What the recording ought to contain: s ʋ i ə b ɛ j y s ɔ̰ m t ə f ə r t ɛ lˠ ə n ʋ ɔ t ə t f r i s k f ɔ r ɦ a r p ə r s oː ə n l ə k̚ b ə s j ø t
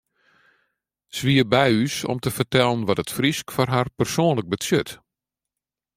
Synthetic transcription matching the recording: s ʋ i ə b ɛ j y s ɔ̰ m t ə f ə r t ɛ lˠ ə n ʋ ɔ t ə t f r i s k f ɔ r ɦ a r p ə r s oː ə n l ə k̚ b ə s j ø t